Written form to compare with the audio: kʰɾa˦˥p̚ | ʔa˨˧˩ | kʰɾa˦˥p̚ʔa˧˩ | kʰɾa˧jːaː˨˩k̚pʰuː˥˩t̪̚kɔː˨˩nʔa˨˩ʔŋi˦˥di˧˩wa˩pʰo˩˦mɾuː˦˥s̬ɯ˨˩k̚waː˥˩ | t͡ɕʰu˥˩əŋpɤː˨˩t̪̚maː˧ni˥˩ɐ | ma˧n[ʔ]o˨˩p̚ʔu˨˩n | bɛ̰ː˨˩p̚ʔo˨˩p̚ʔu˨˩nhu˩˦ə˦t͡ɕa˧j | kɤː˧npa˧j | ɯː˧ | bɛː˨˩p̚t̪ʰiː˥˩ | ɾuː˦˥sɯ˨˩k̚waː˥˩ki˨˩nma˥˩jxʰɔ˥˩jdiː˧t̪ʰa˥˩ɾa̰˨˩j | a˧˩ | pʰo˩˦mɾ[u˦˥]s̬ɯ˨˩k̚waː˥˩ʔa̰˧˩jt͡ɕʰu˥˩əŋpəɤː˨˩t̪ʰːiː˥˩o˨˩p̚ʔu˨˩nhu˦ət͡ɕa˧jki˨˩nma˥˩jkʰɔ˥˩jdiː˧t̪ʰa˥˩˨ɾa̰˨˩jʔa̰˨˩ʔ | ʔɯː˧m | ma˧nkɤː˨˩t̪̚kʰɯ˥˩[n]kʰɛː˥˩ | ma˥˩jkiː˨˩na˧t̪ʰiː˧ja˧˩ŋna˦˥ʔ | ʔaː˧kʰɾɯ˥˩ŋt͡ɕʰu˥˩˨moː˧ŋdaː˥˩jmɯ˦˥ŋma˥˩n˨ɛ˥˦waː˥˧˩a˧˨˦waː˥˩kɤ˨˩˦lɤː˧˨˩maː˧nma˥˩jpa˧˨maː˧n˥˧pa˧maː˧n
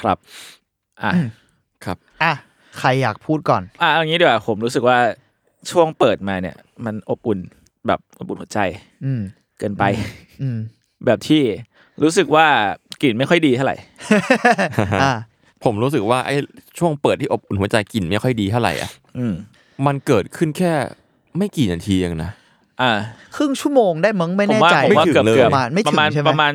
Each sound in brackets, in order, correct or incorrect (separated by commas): correct, incorrect, correct